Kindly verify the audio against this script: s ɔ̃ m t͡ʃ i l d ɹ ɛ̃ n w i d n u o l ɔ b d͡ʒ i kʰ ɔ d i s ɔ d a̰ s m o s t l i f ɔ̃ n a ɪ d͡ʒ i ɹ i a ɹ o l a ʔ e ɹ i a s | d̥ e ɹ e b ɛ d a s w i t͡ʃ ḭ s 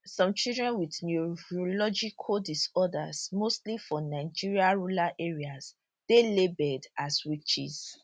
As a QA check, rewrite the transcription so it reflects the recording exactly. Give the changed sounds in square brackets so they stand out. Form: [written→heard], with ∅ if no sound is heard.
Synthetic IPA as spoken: s ɔ̃ m t͡ʃ i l d ɹ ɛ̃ n w i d n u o l ɔ [b→∅] d͡ʒ i kʰ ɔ d i s ɔ d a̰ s m o s t l i f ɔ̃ n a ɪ d͡ʒ i ɹ i a ɹ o l a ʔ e ɹ i a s | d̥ e [ɹ→l] e b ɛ d a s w i t͡ʃ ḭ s